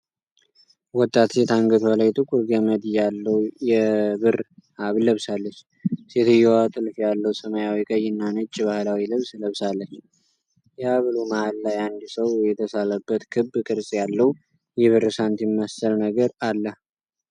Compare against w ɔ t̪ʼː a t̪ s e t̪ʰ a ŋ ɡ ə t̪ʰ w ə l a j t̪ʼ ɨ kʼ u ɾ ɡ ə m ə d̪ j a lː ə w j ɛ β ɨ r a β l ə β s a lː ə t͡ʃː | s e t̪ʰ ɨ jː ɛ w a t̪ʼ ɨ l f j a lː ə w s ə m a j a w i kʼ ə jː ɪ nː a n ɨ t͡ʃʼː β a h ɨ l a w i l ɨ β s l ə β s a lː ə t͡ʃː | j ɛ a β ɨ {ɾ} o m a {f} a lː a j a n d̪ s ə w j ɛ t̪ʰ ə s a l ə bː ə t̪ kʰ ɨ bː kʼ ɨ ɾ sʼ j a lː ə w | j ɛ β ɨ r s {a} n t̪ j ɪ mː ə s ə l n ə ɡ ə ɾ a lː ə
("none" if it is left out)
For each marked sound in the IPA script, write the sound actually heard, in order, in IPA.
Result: l, h, a

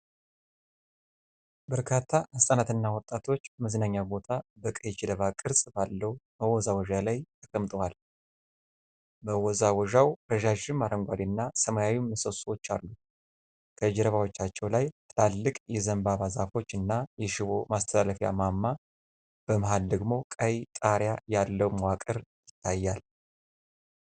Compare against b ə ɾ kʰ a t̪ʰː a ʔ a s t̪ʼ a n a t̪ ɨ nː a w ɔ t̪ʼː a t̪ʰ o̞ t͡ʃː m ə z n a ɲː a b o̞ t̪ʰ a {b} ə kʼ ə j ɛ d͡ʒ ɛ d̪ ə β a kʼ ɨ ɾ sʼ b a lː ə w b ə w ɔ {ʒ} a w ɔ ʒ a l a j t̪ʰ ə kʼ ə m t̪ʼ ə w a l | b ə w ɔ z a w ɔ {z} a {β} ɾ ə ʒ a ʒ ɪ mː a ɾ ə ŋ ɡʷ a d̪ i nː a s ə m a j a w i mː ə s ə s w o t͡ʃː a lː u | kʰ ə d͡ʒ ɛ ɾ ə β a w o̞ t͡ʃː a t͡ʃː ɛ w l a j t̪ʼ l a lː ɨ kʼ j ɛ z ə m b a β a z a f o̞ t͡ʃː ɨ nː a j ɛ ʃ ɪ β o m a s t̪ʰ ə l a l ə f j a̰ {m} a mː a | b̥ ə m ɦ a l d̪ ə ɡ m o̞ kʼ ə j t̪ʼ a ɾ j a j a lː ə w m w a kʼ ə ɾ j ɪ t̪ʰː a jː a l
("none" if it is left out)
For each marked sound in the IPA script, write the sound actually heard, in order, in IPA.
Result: b, z, ʒ, w, m

